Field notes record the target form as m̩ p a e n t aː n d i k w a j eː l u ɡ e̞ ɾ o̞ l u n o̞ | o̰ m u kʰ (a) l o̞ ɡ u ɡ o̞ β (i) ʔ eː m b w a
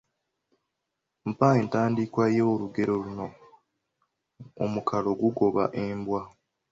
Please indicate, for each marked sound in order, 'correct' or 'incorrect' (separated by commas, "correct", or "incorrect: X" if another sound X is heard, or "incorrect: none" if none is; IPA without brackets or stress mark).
correct, incorrect: a